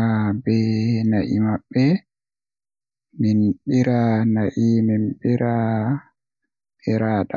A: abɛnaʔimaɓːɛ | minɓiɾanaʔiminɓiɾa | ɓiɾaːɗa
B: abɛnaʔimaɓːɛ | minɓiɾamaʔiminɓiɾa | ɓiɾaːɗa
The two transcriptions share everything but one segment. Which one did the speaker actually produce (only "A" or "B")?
A